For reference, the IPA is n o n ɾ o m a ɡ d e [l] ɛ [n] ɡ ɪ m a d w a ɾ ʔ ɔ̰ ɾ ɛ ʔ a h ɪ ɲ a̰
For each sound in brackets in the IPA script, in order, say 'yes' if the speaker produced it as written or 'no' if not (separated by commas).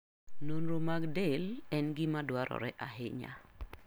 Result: yes, yes